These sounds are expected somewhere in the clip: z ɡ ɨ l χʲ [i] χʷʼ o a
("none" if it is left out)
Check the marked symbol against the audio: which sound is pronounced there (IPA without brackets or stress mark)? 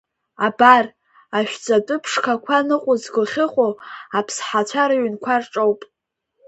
ɪ